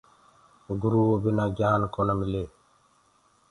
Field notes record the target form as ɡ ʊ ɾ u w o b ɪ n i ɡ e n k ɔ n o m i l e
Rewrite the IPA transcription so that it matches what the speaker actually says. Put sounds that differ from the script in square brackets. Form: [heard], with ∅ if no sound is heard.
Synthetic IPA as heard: ɡ [u] ɾ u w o b [i] n [a] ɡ [a] n k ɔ n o m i l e